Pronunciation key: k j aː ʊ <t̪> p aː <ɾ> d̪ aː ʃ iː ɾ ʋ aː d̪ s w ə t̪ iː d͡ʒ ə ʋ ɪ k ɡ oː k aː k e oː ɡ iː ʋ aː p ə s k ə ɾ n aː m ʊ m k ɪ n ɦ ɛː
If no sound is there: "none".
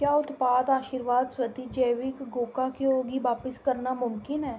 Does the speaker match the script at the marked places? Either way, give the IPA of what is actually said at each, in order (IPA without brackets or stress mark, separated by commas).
t̪, none